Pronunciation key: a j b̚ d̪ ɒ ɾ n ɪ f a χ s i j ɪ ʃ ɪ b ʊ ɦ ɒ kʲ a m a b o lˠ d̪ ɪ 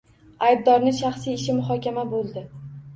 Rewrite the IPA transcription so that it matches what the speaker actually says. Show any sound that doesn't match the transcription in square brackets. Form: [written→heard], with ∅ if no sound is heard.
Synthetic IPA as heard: a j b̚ d̪ ɒ ɾ n ɪ [f→ʃ] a χ s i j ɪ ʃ ɪ [b→m] ʊ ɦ ɒ kʲ a m a b o lˠ d̪ ɪ